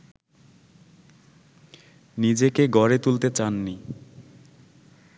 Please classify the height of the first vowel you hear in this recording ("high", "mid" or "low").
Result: high